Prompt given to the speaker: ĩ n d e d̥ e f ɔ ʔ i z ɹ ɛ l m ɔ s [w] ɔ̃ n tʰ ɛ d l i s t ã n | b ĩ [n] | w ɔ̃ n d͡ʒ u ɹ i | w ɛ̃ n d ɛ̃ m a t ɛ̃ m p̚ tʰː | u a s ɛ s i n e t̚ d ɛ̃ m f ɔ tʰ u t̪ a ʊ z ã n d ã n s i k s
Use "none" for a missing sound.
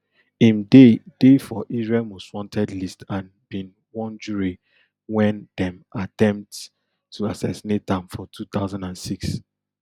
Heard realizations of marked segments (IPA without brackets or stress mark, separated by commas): w, n